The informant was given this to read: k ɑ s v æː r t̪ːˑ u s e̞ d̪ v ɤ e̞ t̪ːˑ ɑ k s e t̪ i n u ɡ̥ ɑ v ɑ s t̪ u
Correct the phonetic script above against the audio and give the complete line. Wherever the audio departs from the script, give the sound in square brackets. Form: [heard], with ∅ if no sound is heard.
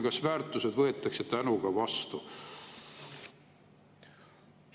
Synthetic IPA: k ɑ s v æː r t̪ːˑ u s e̞ d̪ v ɤ e̞ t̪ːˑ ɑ k s e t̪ [æ] n u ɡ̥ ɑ v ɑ s t̪ u